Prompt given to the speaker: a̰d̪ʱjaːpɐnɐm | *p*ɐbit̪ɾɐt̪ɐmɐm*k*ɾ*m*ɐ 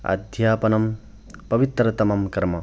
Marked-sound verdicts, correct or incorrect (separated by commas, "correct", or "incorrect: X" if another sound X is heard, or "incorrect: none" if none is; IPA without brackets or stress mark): correct, correct, correct